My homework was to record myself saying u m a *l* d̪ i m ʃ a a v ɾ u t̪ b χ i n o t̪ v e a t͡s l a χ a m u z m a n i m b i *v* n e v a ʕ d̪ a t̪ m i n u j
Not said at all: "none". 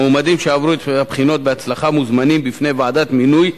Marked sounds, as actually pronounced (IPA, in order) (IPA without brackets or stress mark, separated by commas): none, f